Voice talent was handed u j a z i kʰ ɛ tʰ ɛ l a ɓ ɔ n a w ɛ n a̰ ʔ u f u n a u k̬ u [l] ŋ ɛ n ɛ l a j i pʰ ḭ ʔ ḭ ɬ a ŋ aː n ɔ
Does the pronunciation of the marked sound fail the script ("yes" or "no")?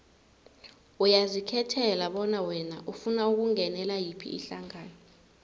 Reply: yes